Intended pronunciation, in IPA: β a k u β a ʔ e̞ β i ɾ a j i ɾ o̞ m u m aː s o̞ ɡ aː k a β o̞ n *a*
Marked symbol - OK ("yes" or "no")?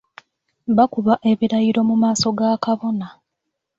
yes